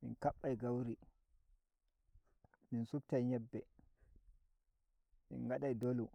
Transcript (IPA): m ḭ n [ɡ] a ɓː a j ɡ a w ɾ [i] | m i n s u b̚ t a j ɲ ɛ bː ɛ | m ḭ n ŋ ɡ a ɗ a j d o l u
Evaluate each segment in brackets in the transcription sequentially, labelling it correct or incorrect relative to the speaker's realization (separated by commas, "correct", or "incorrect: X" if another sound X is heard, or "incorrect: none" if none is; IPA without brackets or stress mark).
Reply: incorrect: k, correct